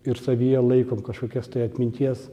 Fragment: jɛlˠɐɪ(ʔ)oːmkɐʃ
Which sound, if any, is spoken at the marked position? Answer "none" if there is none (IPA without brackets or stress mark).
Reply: k